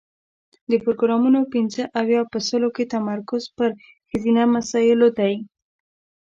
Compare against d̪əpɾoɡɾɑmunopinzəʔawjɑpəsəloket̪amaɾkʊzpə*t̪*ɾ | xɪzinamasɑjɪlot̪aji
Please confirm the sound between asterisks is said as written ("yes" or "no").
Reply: no